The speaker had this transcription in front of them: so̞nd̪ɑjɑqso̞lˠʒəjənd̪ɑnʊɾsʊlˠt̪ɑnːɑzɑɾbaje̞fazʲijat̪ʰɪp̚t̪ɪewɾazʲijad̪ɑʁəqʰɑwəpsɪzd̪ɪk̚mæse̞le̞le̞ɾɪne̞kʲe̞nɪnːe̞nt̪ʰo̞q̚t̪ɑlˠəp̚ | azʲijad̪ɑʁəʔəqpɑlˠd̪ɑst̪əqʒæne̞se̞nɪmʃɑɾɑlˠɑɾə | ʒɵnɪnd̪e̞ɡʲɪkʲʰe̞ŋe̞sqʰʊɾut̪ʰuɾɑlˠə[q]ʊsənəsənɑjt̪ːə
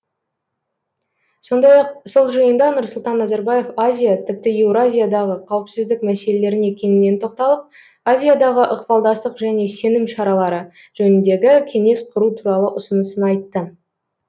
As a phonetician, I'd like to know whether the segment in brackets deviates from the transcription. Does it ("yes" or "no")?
yes